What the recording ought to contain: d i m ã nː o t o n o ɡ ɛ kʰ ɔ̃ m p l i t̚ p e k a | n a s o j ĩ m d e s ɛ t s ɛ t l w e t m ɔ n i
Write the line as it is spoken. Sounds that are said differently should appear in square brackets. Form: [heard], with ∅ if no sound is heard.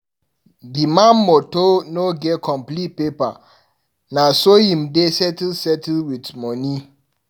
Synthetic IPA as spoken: d i m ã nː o t o n o ɡ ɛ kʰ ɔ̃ m p l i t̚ p e [p] a | n a s o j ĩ m d e s ɛ t s ɛ t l w [i] t m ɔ n i

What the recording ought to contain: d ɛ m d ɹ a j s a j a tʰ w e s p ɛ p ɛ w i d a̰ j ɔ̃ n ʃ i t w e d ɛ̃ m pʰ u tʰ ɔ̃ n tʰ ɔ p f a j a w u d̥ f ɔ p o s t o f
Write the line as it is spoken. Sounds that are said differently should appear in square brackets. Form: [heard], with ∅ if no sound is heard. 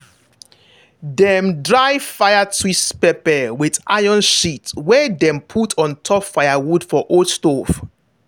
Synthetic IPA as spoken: d ɛ m d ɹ a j [f] a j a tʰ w [i] s p ɛ p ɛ w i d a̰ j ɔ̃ n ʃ i t w [ɛ] d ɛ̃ m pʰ u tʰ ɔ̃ n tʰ ɔ p f a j a w u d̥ f ɔ [ʔ] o s t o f

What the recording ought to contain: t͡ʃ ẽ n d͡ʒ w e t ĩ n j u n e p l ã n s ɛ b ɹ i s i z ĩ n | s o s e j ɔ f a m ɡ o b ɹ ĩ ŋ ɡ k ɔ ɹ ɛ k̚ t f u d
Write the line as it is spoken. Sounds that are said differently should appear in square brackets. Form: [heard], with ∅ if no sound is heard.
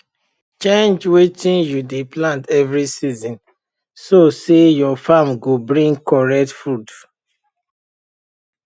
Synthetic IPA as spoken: t͡ʃ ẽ n d͡ʒ w e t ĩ n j u [d] e p l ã n [t] ɛ [v] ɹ i s i z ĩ n | s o s e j ɔ f a m ɡ o b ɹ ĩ ŋ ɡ k ɔ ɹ ɛ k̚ t f u d

